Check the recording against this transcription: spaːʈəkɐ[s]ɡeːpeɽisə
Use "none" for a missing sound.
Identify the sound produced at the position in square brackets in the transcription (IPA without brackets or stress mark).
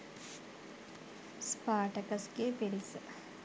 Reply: s